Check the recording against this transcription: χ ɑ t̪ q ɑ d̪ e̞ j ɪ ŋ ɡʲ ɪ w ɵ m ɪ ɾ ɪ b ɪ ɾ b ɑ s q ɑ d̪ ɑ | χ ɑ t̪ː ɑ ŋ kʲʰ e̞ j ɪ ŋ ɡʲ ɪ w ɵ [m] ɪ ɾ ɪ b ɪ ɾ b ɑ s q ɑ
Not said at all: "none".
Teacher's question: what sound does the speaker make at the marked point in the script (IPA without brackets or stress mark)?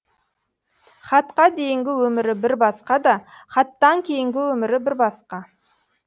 m